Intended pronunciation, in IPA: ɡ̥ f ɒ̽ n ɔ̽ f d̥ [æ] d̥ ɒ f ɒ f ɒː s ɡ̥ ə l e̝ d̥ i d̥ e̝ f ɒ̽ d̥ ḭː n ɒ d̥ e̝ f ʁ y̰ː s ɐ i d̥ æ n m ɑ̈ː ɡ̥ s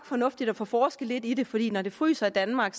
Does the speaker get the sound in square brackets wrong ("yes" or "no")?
yes